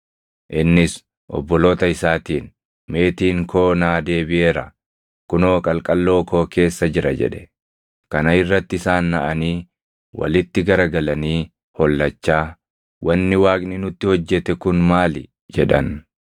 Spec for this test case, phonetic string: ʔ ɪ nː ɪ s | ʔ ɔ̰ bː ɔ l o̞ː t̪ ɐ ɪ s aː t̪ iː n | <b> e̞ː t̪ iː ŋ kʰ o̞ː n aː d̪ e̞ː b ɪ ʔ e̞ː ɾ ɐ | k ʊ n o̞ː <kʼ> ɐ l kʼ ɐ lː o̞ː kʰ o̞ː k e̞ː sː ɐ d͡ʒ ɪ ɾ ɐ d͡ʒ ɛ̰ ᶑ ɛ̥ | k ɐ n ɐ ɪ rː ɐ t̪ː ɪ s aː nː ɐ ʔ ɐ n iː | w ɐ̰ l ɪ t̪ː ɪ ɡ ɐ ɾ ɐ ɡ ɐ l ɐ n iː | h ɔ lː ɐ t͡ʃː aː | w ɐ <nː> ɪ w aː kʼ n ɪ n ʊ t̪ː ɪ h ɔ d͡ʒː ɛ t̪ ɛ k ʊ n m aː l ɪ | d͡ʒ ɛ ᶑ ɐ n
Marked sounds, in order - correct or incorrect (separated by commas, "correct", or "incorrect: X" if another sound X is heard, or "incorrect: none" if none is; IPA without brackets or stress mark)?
incorrect: m, correct, correct